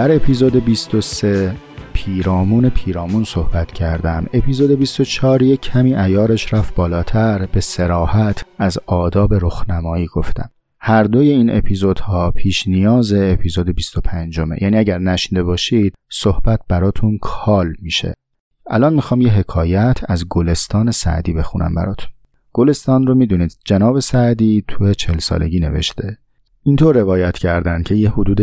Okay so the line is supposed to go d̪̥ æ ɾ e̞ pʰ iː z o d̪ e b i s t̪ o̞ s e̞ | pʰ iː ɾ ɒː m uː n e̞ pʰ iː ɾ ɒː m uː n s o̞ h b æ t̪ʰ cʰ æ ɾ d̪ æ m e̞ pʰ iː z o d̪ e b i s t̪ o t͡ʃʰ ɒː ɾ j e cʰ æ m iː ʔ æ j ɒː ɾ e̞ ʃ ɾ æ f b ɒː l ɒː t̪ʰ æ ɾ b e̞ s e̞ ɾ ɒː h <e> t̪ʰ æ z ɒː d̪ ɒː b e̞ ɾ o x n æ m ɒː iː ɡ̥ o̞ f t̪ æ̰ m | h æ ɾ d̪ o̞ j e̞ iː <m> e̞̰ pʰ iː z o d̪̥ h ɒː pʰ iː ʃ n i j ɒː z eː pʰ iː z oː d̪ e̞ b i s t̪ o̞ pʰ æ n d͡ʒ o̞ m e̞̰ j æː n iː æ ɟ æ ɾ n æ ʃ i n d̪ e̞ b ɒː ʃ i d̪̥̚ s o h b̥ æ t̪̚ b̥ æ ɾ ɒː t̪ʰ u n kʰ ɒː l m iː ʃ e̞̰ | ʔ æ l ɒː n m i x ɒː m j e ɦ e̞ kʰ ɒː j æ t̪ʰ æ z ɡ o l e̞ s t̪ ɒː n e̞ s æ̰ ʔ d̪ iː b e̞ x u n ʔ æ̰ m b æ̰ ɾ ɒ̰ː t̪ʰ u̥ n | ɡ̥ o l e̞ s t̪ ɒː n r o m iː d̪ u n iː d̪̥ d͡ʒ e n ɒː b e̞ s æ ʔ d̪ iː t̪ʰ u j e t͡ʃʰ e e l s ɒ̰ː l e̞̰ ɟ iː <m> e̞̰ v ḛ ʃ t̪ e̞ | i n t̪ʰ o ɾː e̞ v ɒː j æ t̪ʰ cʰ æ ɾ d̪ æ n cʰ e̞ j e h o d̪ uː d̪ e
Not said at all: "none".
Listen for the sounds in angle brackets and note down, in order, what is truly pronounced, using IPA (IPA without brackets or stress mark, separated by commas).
æ, n, n